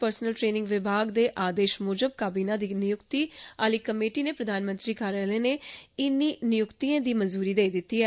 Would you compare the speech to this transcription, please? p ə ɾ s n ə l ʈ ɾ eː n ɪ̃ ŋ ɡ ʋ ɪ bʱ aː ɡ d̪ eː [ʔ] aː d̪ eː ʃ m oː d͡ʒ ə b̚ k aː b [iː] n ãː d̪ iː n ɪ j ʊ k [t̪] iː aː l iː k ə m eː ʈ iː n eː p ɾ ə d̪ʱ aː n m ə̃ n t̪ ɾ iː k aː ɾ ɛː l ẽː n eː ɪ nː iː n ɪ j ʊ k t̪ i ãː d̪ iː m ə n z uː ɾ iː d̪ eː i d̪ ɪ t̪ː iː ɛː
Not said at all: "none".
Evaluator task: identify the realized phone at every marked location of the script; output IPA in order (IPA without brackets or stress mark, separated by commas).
ʔ, iː, t̪